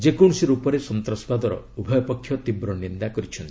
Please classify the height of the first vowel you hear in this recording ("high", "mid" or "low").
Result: mid